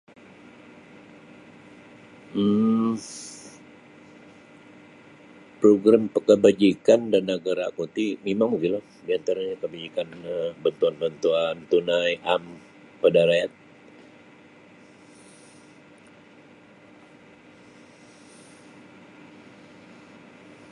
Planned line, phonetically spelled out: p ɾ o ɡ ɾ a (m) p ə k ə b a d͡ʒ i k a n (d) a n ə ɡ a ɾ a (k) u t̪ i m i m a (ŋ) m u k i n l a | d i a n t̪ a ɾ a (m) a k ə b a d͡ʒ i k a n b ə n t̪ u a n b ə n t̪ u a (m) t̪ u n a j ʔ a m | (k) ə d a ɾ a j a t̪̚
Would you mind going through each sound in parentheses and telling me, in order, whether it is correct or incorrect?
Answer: correct, correct, correct, correct, incorrect: ɲ, incorrect: n, incorrect: p

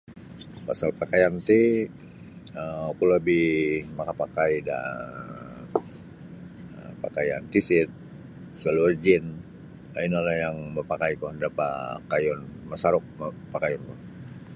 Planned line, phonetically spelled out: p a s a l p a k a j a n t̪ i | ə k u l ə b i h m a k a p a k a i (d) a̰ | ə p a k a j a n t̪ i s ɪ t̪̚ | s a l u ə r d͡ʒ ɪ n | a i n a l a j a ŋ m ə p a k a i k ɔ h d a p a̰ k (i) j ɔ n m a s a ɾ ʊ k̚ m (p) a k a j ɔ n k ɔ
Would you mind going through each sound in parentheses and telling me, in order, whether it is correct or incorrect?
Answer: correct, incorrect: a, correct

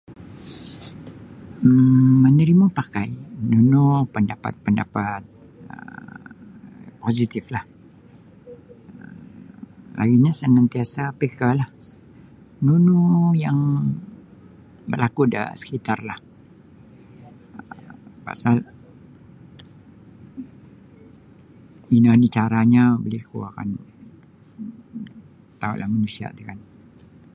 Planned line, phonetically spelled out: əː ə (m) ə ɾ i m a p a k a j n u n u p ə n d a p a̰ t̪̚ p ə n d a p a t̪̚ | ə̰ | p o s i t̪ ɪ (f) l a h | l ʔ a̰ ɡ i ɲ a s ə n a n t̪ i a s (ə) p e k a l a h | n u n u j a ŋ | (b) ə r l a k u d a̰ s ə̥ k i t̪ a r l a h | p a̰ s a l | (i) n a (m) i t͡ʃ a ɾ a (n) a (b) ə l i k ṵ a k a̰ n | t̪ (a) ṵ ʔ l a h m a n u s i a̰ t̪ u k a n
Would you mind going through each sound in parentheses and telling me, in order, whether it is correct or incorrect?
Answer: incorrect: n, correct, incorrect: a, correct, correct, incorrect: n, incorrect: ɲ, correct, correct

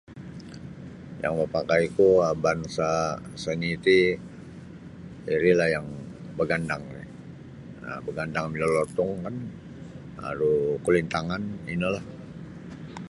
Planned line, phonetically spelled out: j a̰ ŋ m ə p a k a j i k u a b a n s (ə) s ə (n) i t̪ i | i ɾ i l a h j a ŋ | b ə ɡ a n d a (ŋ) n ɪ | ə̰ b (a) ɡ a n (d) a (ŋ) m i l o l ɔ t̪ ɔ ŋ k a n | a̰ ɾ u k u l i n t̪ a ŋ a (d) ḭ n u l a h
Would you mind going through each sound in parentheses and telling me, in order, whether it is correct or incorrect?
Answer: incorrect: a, correct, correct, incorrect: ə, correct, correct, incorrect: n

